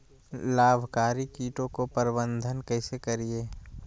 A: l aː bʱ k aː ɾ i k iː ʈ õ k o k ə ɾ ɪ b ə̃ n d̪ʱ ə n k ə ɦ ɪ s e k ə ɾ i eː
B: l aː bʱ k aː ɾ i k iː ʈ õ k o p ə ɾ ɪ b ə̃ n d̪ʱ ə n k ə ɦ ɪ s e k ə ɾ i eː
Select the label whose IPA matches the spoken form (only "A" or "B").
B